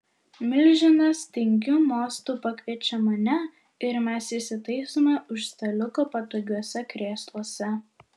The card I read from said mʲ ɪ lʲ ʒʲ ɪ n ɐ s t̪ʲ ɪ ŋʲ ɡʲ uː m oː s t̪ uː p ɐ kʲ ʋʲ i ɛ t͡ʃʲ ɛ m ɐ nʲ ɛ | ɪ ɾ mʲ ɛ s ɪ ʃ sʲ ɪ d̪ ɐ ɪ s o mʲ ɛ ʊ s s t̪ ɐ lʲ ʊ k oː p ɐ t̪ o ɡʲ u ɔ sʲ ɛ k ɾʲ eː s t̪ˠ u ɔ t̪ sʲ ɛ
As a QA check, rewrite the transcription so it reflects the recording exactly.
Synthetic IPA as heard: mʲ ɪ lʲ ʒʲ ɪ n ɐ s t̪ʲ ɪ ŋʲ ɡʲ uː m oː s t̪ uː p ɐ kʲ ʋʲ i ɛ t͡ʃʲ ɛ m ɐ nʲ ɛ | ɪ ɾ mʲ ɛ s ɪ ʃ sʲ ɪ t̪ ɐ ɪ s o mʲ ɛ ʊ ʃ s t̪ ɐ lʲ ʊ k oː p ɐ t̪ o ɡʲ u ɔ sʲ ɛ k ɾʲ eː s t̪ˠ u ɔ sʲ ɛ